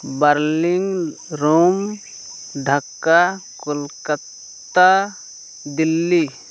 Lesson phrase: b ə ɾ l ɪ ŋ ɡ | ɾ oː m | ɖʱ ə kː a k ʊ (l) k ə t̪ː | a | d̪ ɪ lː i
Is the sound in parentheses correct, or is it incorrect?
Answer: correct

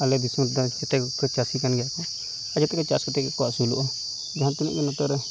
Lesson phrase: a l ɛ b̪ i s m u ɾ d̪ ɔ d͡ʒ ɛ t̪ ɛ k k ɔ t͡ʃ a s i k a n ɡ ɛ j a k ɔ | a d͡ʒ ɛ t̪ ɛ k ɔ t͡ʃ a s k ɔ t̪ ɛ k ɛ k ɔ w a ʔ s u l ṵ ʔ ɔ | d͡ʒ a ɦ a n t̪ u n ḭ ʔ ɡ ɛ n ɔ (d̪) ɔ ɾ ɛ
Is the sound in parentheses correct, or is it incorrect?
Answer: incorrect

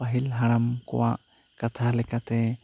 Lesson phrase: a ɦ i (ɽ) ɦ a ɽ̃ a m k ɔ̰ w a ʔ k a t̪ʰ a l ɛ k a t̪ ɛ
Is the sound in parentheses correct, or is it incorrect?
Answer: incorrect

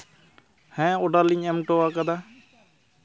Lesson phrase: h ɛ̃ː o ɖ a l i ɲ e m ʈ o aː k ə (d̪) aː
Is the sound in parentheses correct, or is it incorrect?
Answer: correct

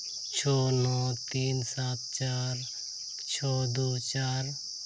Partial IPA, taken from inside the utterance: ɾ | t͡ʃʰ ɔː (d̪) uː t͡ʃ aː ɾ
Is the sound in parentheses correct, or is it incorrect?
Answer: correct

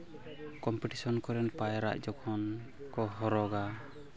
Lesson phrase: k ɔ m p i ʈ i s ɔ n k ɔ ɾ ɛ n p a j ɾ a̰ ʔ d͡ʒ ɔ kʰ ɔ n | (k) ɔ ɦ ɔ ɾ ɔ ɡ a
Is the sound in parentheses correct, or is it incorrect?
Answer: correct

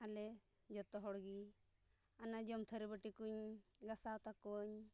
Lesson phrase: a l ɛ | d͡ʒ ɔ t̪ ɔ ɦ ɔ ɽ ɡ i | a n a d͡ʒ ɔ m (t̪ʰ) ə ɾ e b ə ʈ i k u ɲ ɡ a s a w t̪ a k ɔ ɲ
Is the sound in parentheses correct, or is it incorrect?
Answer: correct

